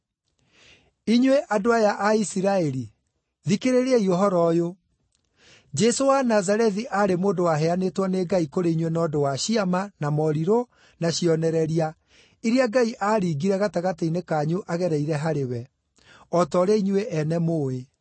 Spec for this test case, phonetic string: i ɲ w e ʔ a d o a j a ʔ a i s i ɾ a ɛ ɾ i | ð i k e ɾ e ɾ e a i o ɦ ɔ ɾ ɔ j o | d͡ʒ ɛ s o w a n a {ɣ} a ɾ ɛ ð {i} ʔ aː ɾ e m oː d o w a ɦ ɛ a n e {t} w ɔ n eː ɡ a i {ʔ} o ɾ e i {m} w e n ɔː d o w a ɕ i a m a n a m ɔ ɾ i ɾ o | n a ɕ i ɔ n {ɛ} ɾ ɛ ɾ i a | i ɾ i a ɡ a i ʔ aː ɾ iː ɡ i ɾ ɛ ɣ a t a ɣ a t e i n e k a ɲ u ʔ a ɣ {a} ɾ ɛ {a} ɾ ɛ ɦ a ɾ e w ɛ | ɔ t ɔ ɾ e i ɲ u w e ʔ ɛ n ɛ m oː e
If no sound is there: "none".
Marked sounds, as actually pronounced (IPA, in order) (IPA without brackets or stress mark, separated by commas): z, i, t, k, ɲ, ɛ, ɛ, i